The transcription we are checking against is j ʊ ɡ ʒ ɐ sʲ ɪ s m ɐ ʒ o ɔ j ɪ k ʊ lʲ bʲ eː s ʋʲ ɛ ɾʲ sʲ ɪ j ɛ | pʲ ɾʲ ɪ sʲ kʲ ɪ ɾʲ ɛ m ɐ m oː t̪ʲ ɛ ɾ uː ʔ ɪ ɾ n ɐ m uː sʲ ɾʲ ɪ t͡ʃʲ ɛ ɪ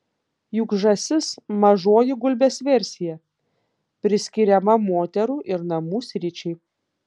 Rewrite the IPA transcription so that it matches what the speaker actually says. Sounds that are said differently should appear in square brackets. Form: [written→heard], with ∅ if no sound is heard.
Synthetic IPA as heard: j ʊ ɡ ʒ ɐ sʲ ɪ s m ɐ ʒ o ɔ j ɪ [k→ɡ] ʊ lʲ bʲ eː s ʋʲ ɛ ɾʲ sʲ ɪ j ɛ | pʲ ɾʲ ɪ sʲ kʲ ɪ ɾʲ ɛ m ɐ m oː t̪ʲ ɛ ɾ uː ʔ ɪ ɾ n ɐ m uː sʲ ɾʲ ɪ t͡ʃʲ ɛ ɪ

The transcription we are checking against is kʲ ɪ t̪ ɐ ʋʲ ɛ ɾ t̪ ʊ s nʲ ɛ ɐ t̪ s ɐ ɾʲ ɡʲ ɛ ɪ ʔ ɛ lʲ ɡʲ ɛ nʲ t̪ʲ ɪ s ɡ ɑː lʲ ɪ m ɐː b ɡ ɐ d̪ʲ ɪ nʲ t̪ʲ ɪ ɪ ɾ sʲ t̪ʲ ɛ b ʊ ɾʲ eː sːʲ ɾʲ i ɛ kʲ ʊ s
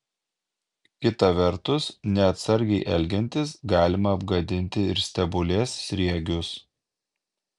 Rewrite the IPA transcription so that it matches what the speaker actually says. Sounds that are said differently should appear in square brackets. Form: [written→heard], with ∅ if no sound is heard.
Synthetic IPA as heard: kʲ ɪ t̪ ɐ ʋʲ ɛ ɾ t̪ ʊ s nʲ ɛ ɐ t̪ s ɐ ɾʲ ɡʲ ɛ ɪ ʔ ɛ lʲ ɡʲ ɛ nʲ t̪ʲ ɪ s ɡ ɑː lʲ ɪ m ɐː b ɡ ɐ d̪ʲ ɪ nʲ t̪ʲ ɪ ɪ ɾ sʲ t̪ʲ ɛ b ʊ [ɾʲ→lʲ] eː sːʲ ɾʲ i ɛ [kʲ→ɡʲ] ʊ s

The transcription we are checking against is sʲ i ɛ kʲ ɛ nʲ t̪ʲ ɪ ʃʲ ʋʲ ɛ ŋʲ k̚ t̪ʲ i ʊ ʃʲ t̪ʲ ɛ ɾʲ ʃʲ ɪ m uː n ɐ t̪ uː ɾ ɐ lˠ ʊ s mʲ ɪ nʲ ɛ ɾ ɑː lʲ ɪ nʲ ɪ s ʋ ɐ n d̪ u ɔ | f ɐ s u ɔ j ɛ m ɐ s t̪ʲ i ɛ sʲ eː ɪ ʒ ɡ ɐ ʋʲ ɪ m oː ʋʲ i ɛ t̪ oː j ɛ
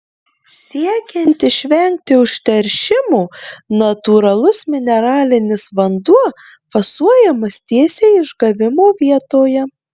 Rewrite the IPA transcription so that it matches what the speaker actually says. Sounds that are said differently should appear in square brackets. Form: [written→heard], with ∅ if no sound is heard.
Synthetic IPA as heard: sʲ i ɛ kʲ ɛ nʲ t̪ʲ ɪ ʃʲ ʋʲ ɛ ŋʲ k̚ t̪ʲ [i→ɪ] ʊ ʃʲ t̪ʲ ɛ ɾʲ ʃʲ ɪ m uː n ɐ t̪ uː ɾ ɐ lˠ ʊ s mʲ ɪ nʲ ɛ ɾ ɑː lʲ ɪ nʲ ɪ s ʋ ɐ n d̪ u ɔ | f ɐ s u ɔ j ɛ m ɐ s t̪ʲ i ɛ sʲ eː ɪ ʒ ɡ ɐ ʋʲ ɪ m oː ʋʲ i ɛ t̪ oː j ɛ

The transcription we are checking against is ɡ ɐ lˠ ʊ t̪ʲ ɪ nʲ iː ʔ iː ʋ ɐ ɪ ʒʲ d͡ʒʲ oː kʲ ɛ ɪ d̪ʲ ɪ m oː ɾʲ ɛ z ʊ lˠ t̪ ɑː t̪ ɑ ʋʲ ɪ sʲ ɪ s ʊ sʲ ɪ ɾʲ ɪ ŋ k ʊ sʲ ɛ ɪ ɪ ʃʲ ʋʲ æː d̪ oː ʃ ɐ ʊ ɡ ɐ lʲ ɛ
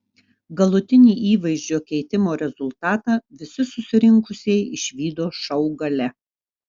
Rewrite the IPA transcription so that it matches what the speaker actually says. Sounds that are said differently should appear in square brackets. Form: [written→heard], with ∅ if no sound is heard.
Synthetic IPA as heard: ɡ ɐ lˠ ʊ t̪ʲ ɪ nʲ iː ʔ iː ʋ ɐ ɪ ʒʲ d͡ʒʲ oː kʲ ɛ ɪ [d̪ʲ→t̪ʲ] ɪ m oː ɾʲ ɛ z ʊ lˠ t̪ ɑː t̪ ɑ ʋʲ ɪ sʲ ɪ s ʊ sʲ ɪ ɾʲ ɪ ŋ k ʊ sʲ ɛ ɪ ɪ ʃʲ ʋʲ [æː→iː] d̪ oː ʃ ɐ ʊ ɡ ɐ lʲ ɛ

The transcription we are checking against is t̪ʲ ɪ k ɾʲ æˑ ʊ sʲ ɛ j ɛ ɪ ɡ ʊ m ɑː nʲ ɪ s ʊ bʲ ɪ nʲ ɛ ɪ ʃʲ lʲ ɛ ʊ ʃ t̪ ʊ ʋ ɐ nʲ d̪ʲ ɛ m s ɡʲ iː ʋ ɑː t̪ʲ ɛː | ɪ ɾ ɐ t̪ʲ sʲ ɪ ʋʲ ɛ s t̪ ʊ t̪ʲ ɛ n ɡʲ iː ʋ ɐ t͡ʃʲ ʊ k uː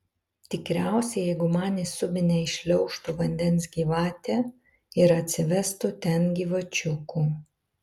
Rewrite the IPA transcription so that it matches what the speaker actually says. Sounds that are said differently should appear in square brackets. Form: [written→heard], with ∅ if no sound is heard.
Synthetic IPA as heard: t̪ʲ ɪ k ɾʲ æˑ ʊ sʲ ɛ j ɛ ɪ ɡ ʊ m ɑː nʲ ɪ s ʊ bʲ ɪ nʲ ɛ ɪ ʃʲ lʲ ɛ ʊ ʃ t̪ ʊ ʋ ɐ nʲ d̪ʲ ɛ [m→n] s ɡʲ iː ʋ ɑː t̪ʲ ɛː | ɪ ɾ ɐ t̪ʲ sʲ ɪ ʋʲ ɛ s t̪ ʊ t̪ʲ ɛ n ɡʲ iː ʋ ɐ t͡ʃʲ ʊ k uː

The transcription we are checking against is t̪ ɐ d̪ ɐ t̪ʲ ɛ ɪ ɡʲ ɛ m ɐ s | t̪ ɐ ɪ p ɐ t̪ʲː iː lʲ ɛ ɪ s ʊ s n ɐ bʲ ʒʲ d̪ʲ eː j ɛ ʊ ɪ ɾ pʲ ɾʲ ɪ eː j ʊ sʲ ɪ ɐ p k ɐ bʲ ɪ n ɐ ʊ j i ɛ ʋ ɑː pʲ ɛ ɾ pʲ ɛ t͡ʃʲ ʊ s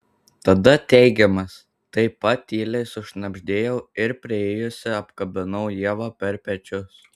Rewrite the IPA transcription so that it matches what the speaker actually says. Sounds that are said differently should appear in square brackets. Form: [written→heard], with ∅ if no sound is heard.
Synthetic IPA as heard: t̪ ɐ d̪ ɐ t̪ʲ ɛ ɪ ɡʲ ɛ m ɐ s | t̪ ɐ ɪ p ɐ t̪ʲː iː lʲ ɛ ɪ s ʊ [s→ʃ] n ɐ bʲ ʒʲ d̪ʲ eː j ɛ ʊ ɪ ɾ pʲ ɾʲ ɪ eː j ʊ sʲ ɪ ɐ p k ɐ bʲ ɪ n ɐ ʊ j i ɛ ʋ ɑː pʲ ɛ ɾ pʲ ɛ t͡ʃʲ ʊ s

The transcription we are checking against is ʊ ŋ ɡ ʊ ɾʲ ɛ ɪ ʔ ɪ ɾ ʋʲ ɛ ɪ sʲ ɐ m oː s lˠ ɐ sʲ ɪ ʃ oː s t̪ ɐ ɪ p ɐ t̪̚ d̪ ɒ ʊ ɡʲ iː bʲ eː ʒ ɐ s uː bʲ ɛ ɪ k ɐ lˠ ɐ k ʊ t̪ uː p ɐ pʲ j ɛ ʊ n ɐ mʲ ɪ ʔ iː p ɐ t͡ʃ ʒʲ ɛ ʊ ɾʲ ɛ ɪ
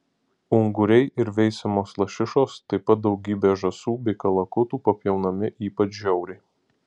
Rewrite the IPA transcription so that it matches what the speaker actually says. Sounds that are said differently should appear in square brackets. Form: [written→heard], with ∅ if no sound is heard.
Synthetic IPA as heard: ʊ ŋ ɡ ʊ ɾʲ ɛ ɪ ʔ ɪ ɾ ʋʲ ɛ ɪ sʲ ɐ m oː s lˠ ɐ [sʲ→ʃʲ] ɪ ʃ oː s t̪ ɐ ɪ p ɐ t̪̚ d̪ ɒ ʊ ɡʲ iː bʲ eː ʒ ɐ s uː bʲ ɛ ɪ k ɐ lˠ ɐ k ʊ t̪ uː p ɐ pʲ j ɛ ʊ n ɐ mʲ ɪ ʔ iː p ɐ t͡ʃ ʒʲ ɛ ʊ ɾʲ ɛ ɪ

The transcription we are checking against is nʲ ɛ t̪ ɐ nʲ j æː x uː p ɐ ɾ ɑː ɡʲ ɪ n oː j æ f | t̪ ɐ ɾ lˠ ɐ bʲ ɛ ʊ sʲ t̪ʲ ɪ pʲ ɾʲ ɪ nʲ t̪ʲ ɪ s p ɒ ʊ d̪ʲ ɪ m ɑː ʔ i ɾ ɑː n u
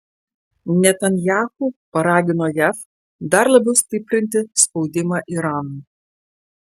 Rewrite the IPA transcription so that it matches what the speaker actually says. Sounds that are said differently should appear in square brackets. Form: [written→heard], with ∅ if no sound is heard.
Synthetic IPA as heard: nʲ ɛ t̪ ɐ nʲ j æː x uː p ɐ ɾ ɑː ɡʲ ɪ n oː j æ f | [t̪→d̪] ɐ ɾ lˠ ɐ bʲ ɛ ʊ sʲ t̪ʲ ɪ pʲ ɾʲ ɪ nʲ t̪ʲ ɪ s p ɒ ʊ d̪ʲ ɪ m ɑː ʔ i ɾ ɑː n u

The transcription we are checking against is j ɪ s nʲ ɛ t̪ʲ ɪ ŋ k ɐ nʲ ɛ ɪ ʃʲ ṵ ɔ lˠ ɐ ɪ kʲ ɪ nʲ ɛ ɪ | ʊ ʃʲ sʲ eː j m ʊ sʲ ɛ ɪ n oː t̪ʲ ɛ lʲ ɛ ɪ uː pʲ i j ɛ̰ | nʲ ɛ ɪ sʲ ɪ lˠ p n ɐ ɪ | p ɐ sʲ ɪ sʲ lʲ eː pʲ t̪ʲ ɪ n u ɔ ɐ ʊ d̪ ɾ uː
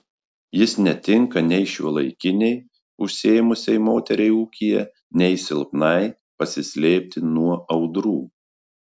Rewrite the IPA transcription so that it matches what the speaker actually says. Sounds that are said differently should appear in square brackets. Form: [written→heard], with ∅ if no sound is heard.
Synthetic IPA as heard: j ɪ s nʲ ɛ t̪ʲ ɪ ŋ k ɐ nʲ ɛ ɪ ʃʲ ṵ ɔ lˠ ɐ ɪ kʲ ɪ nʲ ɛ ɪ | ʊ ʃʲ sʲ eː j m ʊ sʲ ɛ ɪ [n→m] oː t̪ʲ ɛ [lʲ→ɾʲ] ɛ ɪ uː [pʲ→kʲ] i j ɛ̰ | nʲ ɛ ɪ sʲ ɪ lˠ p n ɐ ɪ | p ɐ sʲ ɪ sʲ lʲ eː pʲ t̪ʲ ɪ n u ɔ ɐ ʊ d̪ ɾ uː

